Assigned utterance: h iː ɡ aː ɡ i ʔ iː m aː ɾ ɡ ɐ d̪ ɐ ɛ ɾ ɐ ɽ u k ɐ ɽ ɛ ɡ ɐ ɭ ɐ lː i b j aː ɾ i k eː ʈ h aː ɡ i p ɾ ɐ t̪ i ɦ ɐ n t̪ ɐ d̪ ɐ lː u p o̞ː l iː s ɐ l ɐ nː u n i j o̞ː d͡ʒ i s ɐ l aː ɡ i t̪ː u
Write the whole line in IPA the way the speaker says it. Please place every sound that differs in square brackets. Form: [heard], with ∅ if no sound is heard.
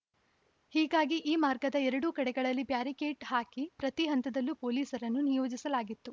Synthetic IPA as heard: h iː ɡ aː ɡ i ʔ iː m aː ɾ ɡ ɐ d̪ ɐ ɛ ɾ ɐ ɽ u k ɐ ɽ ɛ ɡ ɐ ɭ ɐ lː i b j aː ɾ i k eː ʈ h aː [k] i p ɾ ɐ t̪ i ɦ ɐ n t̪ ɐ d̪ ɐ lː u p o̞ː l iː s ɐ [ɾ] ɐ nː u n i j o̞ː d͡ʒ i s ɐ l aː ɡ i t̪ː u